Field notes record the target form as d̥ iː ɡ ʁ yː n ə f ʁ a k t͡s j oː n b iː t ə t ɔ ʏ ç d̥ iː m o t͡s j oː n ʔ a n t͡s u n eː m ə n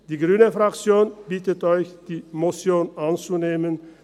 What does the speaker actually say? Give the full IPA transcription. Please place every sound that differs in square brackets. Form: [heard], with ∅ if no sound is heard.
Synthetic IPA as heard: d̥ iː ɡ ʁ yː n ə f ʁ a k t͡s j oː n b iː t ə t ɔ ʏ ç d̥ iː m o t͡s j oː n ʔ a n t͡s u n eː m ə n